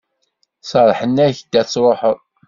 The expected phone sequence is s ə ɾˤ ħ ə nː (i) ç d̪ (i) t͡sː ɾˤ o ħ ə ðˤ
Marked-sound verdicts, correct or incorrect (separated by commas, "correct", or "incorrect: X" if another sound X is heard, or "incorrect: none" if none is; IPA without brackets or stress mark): incorrect: æ, incorrect: æ